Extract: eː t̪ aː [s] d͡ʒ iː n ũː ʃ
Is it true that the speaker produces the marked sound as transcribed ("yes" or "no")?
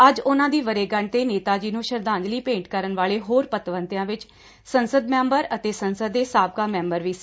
no